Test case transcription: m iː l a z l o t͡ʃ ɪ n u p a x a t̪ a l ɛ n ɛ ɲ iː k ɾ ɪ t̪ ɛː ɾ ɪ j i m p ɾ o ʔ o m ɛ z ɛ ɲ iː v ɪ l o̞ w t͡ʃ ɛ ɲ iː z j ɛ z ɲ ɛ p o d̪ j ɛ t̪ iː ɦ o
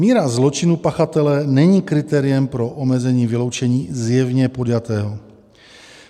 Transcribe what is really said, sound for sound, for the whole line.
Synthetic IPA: m iː ɾ a z l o t͡ʃ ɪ n u p a x a t̪ ɛ l ɛ n ɛ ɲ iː k ɾ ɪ t̪ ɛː ɾ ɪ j ɛ m p ɾ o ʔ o m ɛ z ɛ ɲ iː v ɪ l o̞ w t͡ʃ ɛ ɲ iː z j ɛ v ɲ ɛ p o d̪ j a t̪ ɛː ɦ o